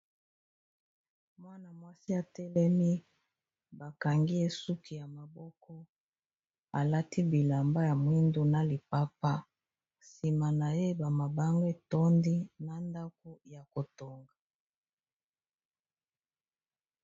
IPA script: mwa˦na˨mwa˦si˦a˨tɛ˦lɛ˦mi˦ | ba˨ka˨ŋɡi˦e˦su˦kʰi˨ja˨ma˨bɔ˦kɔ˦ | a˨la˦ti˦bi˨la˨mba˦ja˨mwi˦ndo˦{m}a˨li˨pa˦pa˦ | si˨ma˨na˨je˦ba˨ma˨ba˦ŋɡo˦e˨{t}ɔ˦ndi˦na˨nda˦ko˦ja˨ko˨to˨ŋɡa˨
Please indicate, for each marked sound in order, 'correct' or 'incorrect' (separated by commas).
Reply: incorrect, correct